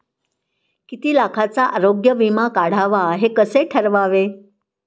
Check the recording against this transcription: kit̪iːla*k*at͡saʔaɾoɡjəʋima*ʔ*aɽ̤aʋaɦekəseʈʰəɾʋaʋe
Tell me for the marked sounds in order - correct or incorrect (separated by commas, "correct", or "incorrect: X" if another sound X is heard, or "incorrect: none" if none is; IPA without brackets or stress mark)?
incorrect: kʰ, incorrect: k